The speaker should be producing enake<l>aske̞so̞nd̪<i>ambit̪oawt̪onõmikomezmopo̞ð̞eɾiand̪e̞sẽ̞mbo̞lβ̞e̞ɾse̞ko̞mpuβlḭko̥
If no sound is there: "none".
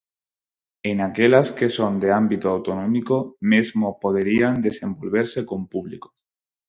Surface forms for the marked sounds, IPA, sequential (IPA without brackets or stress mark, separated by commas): l, e